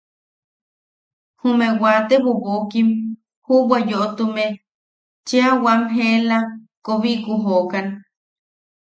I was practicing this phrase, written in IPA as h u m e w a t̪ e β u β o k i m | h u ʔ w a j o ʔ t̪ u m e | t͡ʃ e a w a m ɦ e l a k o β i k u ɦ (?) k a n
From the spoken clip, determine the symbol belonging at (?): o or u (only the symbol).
o